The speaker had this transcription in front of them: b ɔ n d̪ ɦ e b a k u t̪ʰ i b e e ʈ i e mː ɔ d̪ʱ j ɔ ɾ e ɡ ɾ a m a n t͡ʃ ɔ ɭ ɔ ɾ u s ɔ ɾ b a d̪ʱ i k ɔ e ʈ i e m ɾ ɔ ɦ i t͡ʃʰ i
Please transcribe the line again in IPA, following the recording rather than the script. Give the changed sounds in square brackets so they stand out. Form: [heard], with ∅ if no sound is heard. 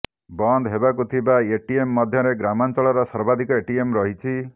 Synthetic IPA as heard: b ɔ n d̪ ɦ e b a k u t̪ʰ i b [a] e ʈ i e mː ɔ d̪ʱ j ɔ ɾ e ɡ ɾ a m a n t͡ʃ ɔ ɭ ɔ ɾ [ɔ] s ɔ ɾ b a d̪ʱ i k ɔ e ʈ i e m ɾ ɔ ɦ i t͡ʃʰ i